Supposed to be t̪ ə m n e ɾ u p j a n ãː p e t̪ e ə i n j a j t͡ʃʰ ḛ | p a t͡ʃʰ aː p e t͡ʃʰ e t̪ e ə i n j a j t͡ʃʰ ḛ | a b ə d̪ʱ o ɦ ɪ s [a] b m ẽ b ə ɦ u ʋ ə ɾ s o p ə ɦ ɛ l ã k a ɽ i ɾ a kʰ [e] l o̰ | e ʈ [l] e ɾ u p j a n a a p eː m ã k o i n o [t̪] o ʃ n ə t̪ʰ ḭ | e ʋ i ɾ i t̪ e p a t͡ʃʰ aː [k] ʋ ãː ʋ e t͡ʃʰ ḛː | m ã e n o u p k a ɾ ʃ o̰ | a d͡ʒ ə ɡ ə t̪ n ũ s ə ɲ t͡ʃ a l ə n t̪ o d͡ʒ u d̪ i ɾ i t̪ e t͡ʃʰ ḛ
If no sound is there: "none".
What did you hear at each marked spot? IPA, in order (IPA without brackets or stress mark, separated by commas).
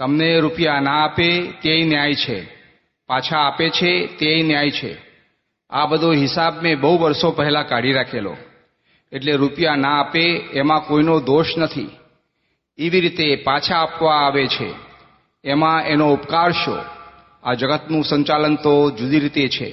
a, e, l, d̪, p